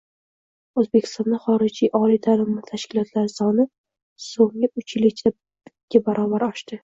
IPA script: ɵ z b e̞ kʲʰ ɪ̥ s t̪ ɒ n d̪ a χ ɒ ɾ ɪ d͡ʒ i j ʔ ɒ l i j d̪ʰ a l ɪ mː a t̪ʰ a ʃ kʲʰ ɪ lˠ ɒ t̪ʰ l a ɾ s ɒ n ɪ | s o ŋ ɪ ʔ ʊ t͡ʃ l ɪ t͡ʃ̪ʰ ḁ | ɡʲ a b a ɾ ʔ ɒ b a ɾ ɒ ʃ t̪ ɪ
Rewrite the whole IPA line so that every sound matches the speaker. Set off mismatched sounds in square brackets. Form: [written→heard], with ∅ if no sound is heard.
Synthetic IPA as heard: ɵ z b e̞ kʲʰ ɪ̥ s t̪ ɒ n d̪ a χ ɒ ɾ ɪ d͡ʒ i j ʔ ɒ l i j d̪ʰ a l ɪ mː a t̪ʰ a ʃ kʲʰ ɪ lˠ ɒ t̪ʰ l a ɾ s ɒ n ɪ | s o ŋ ɪ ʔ ʊ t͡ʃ l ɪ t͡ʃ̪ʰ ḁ | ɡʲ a b a ɾ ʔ ɒ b a ɾ ɒ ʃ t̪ ɪ